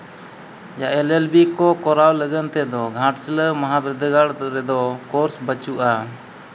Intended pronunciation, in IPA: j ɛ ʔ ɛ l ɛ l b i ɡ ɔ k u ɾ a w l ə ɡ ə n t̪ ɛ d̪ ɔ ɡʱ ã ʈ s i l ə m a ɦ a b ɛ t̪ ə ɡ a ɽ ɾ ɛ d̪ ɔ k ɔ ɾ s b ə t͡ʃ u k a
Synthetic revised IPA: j a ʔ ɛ l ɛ l b i k ɔ k ɔ ɾ a w l ə ɡ ə n t̪ ɛ d̪ ɔ ɡʱ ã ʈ s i l ə m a ɦ a b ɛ d̪ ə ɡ a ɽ ɾ ɛ d̪ ɔ k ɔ ɾ s b ə t͡ʃ u ʔ a